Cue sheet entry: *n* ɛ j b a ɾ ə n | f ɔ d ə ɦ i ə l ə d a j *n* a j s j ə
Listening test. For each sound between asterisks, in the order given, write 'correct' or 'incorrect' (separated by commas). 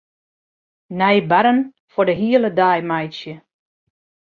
correct, incorrect